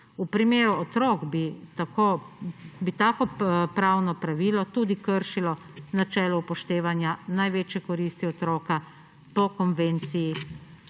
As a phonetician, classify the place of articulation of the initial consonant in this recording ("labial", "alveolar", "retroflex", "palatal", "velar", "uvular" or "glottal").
labial